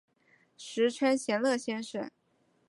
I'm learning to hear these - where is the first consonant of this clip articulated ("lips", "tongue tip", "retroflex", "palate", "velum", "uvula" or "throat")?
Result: retroflex